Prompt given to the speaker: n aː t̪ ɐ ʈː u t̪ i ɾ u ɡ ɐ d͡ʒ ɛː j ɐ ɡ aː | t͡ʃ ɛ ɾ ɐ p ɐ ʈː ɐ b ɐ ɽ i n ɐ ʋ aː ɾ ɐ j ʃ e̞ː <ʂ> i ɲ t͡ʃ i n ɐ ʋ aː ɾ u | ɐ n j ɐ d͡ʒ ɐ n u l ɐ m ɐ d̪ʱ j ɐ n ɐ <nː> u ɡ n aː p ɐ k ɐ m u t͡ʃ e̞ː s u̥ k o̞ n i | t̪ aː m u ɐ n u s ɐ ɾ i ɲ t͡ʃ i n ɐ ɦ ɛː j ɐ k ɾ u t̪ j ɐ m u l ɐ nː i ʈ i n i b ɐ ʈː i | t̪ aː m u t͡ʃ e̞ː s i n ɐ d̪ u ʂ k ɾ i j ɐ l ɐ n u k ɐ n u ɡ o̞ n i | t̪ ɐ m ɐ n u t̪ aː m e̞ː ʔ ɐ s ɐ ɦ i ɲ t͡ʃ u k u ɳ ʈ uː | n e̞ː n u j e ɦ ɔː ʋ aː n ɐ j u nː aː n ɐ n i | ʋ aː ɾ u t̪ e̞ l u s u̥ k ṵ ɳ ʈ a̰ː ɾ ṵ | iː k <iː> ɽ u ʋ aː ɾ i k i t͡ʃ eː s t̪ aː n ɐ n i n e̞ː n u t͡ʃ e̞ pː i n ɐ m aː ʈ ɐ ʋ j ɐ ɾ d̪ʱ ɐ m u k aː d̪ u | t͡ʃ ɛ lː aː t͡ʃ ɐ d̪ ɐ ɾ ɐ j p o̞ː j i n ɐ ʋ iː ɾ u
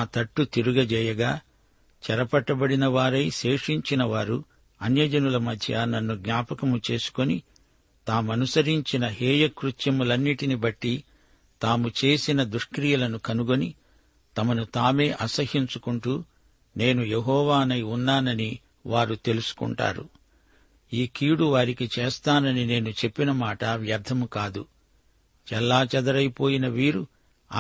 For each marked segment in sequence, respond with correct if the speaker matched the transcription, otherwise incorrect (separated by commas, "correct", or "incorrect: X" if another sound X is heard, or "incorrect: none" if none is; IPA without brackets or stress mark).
correct, correct, correct